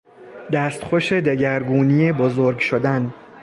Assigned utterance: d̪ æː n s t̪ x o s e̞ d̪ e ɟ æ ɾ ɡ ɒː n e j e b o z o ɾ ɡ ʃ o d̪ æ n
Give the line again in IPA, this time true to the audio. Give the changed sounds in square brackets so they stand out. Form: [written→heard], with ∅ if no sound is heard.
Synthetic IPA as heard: d̪ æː [n→∅] s t̪ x o [s→ʃ] e̞ d̪ e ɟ æ ɾ ɡ [ɒː→uː] n [e→i] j e b o z o ɾ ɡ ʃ o d̪ æ n

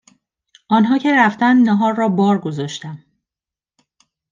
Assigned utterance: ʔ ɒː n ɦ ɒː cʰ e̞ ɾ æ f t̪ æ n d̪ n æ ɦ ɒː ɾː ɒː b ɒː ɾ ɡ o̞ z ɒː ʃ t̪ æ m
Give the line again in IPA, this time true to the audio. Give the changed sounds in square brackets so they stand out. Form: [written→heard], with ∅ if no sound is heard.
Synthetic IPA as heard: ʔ ɒː n ɦ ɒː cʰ e̞ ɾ æ f t̪ æ n d̪ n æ ɦ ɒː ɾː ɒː b ɒː ɾ ɡ o̞ z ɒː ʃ t̪ æ m

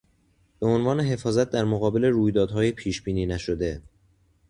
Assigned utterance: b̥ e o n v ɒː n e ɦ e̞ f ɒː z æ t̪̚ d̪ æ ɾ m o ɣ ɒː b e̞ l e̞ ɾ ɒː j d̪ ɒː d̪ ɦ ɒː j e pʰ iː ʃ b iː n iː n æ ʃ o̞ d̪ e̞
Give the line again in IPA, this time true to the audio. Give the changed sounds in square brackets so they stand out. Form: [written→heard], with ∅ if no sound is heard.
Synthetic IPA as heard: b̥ e o n v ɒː n e ɦ e̞ f ɒː z æ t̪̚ d̪ æ ɾ m o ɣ ɒː b e̞ l e̞ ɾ [ɒː→uː] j d̪ ɒː d̪ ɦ ɒː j e pʰ iː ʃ b iː n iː n æ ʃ o̞ d̪ e̞

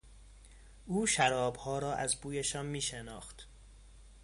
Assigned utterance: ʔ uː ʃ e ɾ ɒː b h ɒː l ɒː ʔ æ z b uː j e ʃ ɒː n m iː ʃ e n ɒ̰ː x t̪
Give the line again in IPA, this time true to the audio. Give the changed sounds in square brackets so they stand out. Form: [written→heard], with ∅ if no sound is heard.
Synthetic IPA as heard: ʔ uː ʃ [e→æ] ɾ ɒː b h ɒː [l→ɾ] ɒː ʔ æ z b uː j e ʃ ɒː n m iː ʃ e n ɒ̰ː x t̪

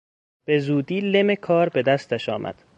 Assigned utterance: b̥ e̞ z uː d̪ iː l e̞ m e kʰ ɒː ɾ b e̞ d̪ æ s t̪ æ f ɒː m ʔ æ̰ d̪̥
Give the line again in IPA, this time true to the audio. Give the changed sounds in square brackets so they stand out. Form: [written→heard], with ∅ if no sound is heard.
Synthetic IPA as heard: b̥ e̞ z uː d̪ iː l e̞ m e kʰ ɒː ɾ b e̞ d̪ æ s t̪ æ [f→ʃ] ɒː m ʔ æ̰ d̪̥

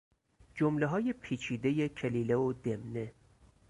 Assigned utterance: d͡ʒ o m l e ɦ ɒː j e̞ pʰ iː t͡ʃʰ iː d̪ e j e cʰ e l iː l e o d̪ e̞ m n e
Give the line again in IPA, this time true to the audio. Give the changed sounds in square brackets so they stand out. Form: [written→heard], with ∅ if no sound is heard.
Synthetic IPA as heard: d͡ʒ o m l e ɦ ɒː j e̞ pʰ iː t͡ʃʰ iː d̪ e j e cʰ e l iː l e o d̪ e̞ m n e

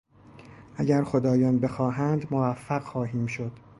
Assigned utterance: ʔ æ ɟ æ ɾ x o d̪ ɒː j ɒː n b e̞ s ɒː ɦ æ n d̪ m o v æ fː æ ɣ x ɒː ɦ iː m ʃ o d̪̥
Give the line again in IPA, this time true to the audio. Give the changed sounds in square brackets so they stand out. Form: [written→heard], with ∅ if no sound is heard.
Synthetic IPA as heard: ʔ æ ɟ æ ɾ x o d̪ ɒː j ɒː n b e̞ [s→x] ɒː ɦ æ n d̪ m o v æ fː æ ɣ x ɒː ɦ iː m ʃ o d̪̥

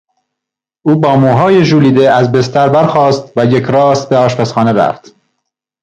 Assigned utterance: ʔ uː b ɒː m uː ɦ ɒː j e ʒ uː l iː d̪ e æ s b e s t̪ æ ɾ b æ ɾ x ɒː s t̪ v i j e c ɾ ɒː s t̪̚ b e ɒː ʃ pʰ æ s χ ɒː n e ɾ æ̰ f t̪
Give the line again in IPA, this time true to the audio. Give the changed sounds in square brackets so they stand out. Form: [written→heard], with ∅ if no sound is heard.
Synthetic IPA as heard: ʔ uː b ɒː m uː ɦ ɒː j e ʒ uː l iː d̪ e æ [s→z] b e s t̪ æ ɾ b æ ɾ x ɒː s t̪ v [i→æ] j e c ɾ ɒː s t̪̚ b e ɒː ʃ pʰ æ s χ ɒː n e ɾ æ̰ f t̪

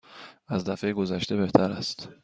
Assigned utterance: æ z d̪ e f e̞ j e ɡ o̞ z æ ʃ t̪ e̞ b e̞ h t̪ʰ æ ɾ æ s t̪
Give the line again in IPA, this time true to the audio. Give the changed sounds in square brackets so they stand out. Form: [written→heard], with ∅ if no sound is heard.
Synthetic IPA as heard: æ z d̪ [e→æ] f e̞ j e ɡ o̞ z æ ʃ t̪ e̞ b e̞ h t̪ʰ æ ɾ æ s t̪

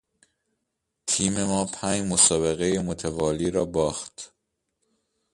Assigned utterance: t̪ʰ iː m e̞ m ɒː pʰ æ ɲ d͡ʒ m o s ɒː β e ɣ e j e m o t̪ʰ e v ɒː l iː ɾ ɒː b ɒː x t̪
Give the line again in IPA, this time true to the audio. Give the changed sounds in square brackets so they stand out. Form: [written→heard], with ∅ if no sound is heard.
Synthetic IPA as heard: t̪ʰ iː m e̞ m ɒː pʰ æ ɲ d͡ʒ m o s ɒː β e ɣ e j e m o t̪ʰ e v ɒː l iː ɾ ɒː b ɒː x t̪

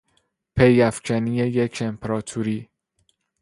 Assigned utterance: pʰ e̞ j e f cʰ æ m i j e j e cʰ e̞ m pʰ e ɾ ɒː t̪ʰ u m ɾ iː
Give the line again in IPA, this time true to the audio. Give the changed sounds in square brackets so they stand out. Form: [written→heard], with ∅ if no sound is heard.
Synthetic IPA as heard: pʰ e̞ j [e→æ] f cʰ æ [m→n] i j e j e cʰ e̞ m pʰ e ɾ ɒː t̪ʰ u [m→∅] ɾ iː

